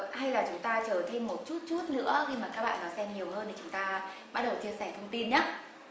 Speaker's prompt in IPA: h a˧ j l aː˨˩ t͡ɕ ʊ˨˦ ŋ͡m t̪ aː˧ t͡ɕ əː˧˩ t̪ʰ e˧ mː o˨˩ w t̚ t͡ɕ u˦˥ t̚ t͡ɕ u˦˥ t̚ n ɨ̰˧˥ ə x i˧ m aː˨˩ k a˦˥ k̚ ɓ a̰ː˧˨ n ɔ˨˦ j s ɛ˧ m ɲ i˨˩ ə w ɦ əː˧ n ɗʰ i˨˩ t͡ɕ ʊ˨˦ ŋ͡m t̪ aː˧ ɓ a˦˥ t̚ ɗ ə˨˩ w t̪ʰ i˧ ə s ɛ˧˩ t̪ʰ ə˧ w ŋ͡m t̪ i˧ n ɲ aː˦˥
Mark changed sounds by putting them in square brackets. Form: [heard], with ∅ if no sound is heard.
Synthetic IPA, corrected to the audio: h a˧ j l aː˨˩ t͡ɕ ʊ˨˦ ŋ͡m t̪ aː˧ t͡ɕ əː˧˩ t̪ʰ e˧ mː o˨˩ [∅] t̚ t͡ɕ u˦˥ t̚ t͡ɕ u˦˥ t̚ n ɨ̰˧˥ ə x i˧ m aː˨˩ k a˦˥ k̚ ɓ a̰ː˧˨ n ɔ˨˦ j s ɛ˧ m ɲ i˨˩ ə w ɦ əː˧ n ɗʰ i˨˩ t͡ɕ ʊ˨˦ ŋ͡m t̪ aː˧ ɓ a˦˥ t̚ ɗ ə˨˩ w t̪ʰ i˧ ə s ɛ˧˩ t̪ʰ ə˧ w ŋ͡m t̪ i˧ n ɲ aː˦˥